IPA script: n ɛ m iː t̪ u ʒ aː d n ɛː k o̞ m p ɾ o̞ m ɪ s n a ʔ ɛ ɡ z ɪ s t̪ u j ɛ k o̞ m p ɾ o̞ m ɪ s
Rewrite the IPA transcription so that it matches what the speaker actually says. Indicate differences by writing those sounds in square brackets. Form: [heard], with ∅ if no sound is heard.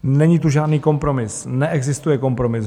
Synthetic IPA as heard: n ɛ [ɲ] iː t̪ u ʒ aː d n [iː] k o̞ m p ɾ o̞ m ɪ s n [ɛ] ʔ ɛ ɡ z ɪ s t̪ u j ɛ k o̞ m p ɾ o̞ m ɪ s